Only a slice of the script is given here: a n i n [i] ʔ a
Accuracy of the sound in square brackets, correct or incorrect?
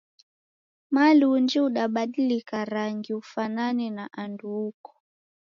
incorrect